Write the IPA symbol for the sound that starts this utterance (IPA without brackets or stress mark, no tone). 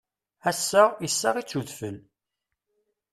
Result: æ